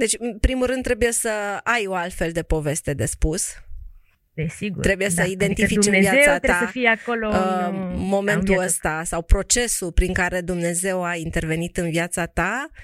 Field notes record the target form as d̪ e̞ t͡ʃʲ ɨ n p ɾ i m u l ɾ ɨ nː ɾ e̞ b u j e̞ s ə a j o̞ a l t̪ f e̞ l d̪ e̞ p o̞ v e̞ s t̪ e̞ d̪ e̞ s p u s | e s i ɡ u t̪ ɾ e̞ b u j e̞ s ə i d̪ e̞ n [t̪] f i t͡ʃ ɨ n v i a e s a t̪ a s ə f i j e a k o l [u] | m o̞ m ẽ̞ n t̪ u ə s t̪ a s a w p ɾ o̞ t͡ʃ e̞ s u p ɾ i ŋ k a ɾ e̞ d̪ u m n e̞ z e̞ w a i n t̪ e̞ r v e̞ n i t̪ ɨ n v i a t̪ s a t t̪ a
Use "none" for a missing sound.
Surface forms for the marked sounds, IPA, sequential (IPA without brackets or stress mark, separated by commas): t̪, o